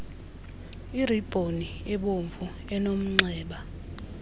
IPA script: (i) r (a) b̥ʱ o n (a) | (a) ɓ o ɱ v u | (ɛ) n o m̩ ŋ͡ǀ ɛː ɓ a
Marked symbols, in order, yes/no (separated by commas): yes, no, no, no, yes